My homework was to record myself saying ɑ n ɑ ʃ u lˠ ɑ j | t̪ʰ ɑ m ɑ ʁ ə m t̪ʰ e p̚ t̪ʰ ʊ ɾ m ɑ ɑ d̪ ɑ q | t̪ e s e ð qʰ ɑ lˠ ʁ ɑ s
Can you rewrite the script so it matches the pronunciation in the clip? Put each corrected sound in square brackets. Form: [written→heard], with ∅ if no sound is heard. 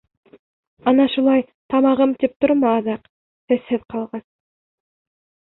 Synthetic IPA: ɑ n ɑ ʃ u lˠ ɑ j | t̪ʰ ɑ m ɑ ʁ ə m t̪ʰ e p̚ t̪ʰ ʊ ɾ m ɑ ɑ d̪ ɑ q | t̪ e s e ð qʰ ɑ lˠ ʁ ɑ s